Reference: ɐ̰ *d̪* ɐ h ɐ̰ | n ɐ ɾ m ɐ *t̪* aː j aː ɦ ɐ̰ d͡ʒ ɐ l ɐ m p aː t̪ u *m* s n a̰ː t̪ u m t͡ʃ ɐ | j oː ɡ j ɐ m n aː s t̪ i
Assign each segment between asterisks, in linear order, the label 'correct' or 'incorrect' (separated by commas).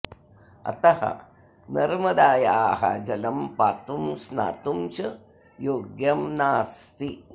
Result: incorrect, incorrect, correct